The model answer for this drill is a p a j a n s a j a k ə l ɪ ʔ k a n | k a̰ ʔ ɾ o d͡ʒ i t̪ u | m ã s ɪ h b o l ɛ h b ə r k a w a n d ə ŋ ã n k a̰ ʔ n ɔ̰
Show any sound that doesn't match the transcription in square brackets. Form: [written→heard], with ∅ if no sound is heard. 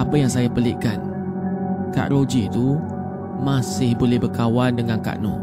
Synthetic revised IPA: a p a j a [n→ŋ] s a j a [k→p] ə l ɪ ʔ k a n | k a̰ ʔ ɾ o d͡ʒ i t̪ u | m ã s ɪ h b o l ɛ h b ə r k a w a n d ə ŋ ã n k a̰ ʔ n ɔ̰